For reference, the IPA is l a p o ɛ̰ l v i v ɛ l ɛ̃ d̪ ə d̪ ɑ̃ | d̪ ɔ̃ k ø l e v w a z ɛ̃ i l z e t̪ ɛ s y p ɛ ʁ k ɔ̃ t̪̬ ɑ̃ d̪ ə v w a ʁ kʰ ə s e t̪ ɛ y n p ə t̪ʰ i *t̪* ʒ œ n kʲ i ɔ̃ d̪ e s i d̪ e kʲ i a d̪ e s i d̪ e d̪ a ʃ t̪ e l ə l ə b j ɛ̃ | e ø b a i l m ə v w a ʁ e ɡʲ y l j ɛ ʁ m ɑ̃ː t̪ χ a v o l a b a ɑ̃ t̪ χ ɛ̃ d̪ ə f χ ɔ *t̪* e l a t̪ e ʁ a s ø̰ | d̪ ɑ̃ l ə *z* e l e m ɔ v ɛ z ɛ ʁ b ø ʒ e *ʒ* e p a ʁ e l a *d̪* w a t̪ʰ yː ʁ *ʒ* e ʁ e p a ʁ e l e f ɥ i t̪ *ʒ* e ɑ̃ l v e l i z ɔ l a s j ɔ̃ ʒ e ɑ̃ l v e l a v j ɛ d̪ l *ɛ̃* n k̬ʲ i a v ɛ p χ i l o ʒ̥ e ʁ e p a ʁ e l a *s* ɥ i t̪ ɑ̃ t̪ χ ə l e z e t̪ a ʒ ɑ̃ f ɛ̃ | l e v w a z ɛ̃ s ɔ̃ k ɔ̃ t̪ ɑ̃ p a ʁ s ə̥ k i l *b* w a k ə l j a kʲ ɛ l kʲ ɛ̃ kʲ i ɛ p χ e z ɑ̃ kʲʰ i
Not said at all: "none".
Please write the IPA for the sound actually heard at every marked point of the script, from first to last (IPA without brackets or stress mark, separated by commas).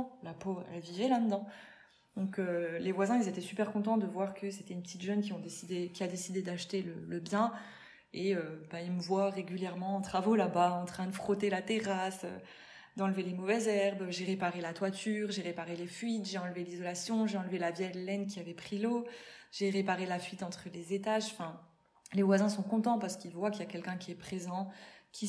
t̪, t̪, v, ʁ, t̪, ʒ, ʒ, ɛ, f, v